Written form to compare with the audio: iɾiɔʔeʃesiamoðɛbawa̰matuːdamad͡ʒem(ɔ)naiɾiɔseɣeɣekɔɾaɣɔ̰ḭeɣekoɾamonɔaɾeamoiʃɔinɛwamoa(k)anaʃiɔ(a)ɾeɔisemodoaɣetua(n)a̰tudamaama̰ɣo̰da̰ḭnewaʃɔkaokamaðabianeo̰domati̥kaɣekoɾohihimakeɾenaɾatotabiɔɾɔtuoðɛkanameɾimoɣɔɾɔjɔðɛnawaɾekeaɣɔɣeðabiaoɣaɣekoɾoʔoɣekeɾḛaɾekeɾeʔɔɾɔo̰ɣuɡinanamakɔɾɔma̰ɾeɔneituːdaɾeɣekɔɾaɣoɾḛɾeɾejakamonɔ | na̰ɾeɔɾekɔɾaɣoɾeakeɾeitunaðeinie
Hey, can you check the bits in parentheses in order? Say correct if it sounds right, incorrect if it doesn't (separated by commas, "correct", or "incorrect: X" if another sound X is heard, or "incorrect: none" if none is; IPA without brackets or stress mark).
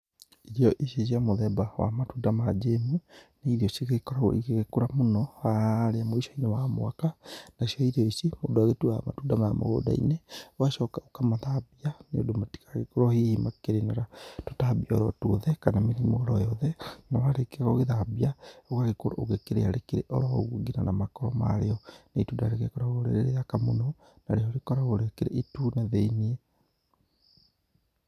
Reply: incorrect: u, correct, incorrect: i, incorrect: m